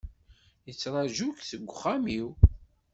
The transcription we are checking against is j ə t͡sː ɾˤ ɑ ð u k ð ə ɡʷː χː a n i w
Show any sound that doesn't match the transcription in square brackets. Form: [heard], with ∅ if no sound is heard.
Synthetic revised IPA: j ə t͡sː ɾˤ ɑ [ʒ] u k [θ] ə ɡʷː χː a [m] i w